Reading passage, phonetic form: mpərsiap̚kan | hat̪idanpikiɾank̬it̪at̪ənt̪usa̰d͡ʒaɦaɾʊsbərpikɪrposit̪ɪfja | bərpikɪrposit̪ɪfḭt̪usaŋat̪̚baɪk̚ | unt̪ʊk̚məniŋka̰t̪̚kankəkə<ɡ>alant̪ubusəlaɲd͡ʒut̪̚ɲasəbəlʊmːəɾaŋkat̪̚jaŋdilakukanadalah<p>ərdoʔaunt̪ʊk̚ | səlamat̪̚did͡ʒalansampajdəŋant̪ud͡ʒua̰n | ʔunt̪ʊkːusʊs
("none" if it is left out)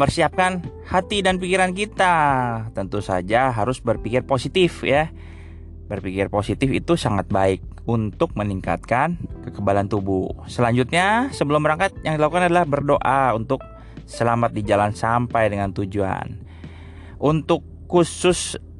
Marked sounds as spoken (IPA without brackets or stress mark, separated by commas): b, b